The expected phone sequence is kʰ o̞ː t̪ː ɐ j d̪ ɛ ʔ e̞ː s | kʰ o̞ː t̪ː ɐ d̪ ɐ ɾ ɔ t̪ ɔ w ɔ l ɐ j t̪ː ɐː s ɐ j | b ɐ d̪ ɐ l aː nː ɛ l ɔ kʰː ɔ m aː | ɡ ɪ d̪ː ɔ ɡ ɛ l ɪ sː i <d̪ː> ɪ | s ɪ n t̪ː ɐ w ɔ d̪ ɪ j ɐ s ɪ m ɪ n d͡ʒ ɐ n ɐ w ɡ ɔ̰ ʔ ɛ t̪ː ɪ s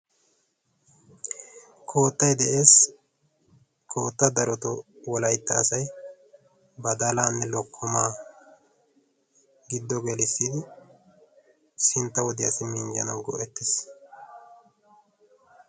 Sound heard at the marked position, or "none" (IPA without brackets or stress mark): d̪